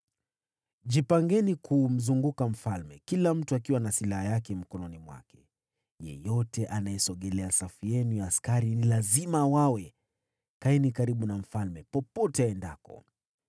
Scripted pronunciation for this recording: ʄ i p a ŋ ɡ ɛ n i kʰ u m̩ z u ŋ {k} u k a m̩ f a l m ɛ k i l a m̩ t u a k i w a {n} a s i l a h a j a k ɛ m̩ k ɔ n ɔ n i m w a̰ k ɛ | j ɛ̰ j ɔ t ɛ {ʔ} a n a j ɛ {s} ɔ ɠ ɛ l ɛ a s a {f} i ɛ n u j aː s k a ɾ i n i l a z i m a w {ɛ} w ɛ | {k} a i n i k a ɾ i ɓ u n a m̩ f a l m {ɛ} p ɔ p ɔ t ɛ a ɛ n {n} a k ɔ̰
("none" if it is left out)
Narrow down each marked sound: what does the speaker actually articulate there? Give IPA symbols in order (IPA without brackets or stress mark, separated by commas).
ɡ, n, ʔ, s, f, a, k, ɛ, d